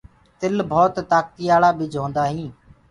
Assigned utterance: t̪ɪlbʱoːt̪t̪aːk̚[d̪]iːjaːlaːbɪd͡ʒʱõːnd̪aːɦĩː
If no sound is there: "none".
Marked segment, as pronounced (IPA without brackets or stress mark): t̪